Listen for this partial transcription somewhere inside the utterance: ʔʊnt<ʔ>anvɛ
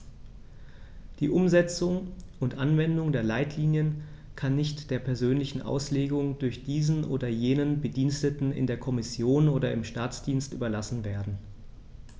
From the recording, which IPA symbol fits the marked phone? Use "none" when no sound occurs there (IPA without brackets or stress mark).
ʔ